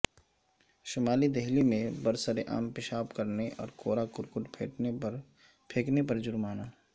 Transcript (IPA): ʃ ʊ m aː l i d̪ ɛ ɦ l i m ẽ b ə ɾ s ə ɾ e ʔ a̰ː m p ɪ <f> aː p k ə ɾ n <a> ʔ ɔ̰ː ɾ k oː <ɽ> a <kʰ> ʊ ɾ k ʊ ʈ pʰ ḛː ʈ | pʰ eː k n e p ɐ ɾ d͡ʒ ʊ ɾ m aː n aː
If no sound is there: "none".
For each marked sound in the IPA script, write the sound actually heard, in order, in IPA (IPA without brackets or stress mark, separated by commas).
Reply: ʃ, e, ɾ, k